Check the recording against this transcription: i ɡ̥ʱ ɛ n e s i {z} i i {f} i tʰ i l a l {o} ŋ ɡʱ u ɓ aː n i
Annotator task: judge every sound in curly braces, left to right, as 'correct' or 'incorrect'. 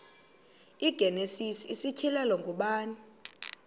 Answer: incorrect: s, incorrect: s, incorrect: ɔ

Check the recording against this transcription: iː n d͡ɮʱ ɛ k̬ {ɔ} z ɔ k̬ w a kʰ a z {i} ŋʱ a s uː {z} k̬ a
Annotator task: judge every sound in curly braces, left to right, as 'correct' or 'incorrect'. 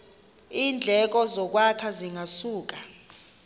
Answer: correct, correct, incorrect: none

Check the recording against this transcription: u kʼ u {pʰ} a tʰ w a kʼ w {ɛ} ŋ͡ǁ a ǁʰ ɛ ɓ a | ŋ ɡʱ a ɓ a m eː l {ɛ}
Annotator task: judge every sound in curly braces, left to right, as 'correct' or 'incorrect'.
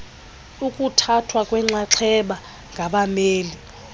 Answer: incorrect: tʰ, correct, incorrect: i

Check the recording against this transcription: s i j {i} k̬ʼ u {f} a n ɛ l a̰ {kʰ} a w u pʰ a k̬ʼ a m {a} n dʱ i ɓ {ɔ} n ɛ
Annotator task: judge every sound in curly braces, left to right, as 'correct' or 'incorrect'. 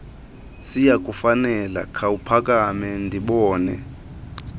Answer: incorrect: a, correct, correct, incorrect: ɛ, incorrect: ɔː

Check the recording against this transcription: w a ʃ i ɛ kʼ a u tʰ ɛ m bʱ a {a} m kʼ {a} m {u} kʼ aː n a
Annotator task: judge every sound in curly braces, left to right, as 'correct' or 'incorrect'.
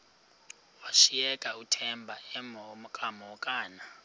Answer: incorrect: ɛ, correct, incorrect: ɔ

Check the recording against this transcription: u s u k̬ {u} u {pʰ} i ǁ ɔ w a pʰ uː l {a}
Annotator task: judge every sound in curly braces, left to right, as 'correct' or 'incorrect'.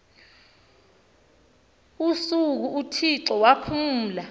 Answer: correct, incorrect: tʰ, correct

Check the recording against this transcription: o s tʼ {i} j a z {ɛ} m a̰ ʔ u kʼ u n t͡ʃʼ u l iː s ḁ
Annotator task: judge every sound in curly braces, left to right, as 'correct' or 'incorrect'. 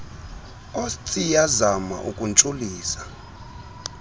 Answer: correct, incorrect: a

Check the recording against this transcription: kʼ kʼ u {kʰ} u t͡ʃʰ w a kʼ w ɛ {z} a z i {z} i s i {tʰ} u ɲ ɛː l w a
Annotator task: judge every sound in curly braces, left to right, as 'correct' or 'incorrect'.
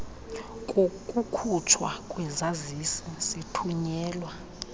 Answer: correct, correct, incorrect: s, correct

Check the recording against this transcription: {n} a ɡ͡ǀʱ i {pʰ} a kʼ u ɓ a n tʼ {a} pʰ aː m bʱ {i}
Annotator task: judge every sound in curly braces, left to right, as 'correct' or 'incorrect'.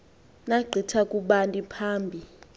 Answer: correct, incorrect: tʰ, incorrect: i, correct

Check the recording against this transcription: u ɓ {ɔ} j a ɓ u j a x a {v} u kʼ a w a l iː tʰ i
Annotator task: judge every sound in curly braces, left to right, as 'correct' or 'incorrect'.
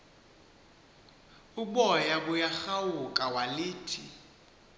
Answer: correct, incorrect: w

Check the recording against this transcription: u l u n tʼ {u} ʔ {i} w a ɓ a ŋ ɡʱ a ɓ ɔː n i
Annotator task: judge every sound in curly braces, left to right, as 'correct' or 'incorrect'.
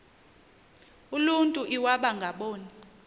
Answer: correct, correct

